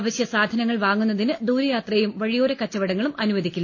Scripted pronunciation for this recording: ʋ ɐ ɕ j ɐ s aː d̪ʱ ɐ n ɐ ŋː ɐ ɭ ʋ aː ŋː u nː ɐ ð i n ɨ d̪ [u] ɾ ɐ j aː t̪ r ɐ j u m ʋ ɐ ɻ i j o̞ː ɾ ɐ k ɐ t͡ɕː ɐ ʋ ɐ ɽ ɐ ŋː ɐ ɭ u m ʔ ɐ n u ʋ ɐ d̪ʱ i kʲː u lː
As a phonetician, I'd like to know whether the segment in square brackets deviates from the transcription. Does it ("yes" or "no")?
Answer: yes